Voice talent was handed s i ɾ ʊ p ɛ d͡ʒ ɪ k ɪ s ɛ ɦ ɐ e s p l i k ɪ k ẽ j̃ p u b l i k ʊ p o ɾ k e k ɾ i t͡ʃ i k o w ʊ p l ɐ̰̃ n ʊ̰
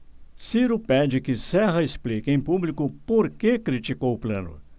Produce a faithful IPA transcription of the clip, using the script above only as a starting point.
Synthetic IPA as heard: s i ɾ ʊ p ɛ d͡ʒ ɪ k ɪ s ɛ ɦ ɐ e s p l i k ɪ ẽ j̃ p u b l i k ʊ p o ɾ k e k ɾ i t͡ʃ i k o w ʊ p l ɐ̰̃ n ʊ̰